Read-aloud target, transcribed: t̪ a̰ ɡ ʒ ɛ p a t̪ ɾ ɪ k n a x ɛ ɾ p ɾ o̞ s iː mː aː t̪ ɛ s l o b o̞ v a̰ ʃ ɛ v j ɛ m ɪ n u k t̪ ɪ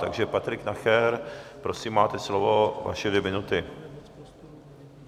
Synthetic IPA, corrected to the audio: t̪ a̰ ɡ ʒ ɛ p a t̪ ɾ ɪ k n a x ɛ ɾ p ɾ o̞ s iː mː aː t̪ ɛ s l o v o̞ v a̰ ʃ ɛ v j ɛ m ɪ n u t̪ ɪ